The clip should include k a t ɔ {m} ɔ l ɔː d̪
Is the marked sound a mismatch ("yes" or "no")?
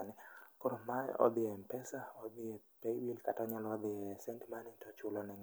yes